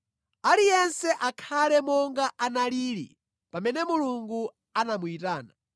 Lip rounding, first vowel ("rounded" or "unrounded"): unrounded